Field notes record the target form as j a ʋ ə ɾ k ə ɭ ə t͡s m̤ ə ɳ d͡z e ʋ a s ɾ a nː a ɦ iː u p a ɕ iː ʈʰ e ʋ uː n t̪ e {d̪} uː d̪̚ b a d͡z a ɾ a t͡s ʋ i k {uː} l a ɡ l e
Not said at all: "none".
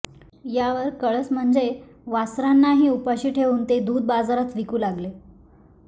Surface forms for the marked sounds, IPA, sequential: d̪, uː

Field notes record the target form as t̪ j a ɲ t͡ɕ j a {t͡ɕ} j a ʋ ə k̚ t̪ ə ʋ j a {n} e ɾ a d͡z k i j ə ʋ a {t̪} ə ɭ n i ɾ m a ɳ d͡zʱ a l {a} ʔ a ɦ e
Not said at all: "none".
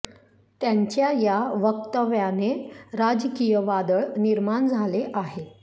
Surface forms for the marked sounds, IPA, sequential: none, n, d̪, e

